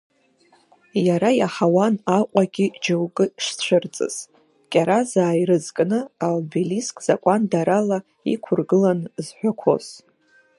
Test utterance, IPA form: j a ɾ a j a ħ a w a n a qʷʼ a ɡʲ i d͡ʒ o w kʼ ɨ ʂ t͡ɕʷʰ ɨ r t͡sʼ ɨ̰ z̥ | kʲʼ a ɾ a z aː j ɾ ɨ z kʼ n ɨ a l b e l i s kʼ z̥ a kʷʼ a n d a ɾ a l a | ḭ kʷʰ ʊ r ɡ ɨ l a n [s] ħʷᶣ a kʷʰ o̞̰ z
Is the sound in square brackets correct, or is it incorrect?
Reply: incorrect